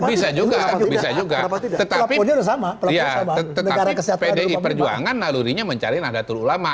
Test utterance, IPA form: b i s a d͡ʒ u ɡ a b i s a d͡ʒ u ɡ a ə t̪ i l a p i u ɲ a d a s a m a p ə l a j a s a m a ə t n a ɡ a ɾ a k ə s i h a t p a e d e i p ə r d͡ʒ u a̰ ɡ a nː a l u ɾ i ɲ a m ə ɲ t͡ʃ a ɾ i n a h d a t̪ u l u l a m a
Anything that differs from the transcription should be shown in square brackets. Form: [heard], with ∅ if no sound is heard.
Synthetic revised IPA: b i s a d͡ʒ u ɡ a b i s a d͡ʒ u ɡ a ə t̪ [a] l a p i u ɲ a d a s a m a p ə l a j a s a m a ə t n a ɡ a ɾ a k ə s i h a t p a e d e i p ə r d͡ʒ u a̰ [ŋ] a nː a l u ɾ i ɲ a m ə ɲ t͡ʃ a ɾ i n a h d a t̪ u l u l a m a